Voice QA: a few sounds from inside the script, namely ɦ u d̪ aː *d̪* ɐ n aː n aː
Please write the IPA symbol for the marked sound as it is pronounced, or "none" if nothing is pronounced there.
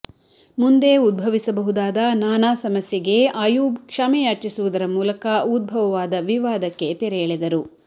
d̪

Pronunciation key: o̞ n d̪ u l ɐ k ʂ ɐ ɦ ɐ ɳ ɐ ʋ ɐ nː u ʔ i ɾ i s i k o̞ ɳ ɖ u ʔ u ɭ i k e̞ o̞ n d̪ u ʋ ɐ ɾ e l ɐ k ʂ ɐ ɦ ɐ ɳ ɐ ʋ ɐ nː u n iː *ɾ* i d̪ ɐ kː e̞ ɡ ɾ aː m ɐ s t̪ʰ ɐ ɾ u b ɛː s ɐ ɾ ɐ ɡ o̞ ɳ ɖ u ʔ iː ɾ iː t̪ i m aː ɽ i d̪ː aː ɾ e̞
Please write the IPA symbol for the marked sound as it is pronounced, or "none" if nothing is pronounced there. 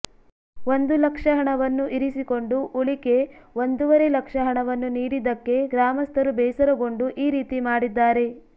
ɾ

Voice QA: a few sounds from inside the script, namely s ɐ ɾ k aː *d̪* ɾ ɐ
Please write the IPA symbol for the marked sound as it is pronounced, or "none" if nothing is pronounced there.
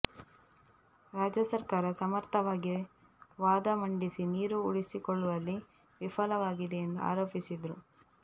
none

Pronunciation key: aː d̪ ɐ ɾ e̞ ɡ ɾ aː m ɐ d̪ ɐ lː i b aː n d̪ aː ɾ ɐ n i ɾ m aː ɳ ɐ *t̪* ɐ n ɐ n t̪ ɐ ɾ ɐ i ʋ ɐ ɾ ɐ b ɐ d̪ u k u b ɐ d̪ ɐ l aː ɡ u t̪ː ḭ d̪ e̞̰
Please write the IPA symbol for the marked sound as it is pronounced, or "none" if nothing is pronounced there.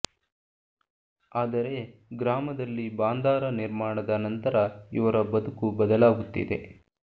d̪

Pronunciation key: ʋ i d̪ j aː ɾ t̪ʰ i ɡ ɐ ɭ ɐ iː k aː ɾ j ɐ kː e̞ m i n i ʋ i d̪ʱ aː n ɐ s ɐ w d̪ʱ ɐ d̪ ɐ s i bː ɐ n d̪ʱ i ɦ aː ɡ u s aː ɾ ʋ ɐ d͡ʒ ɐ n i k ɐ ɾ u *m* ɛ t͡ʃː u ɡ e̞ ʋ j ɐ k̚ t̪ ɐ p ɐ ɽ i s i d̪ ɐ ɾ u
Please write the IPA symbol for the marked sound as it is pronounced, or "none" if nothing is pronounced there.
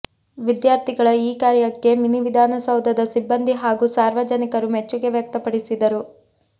m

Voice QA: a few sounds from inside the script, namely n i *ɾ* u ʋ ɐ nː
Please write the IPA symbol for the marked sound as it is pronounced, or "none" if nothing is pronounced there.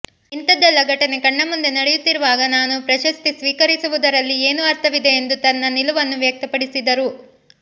l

